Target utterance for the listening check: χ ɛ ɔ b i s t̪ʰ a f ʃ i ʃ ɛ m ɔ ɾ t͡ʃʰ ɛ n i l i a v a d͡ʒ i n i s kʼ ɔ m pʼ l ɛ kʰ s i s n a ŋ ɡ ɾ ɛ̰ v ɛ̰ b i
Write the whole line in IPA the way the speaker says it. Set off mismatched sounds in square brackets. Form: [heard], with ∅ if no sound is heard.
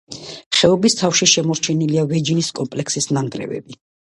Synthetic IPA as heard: χ ɛ ɔ b i s t̪ʰ a f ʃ i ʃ ɛ m ɔ ɾ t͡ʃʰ ɛ n i l i a v [ɛ] d͡ʒ i n i s kʼ ɔ m pʼ l ɛ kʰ s i s n a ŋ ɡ ɾ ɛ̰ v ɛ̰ b i